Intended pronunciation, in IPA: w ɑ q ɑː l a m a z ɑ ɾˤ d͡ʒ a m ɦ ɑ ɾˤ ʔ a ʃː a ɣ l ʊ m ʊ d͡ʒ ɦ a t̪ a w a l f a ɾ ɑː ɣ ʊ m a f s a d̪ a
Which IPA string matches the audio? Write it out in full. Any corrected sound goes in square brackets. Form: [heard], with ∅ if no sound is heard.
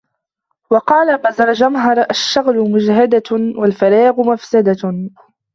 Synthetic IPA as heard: w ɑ q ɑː l a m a z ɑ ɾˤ d͡ʒ a m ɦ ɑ ɾˤ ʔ a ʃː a ɣ l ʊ m ʊ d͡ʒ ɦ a [d̪] a w a l f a ɾ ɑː ɣ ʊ m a f s a d̪ a